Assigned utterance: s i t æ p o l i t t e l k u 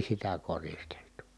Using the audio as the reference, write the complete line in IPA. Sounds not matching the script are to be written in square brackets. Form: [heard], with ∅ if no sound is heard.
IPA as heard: s i t æ [k] o [r] i [s] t e l [t] u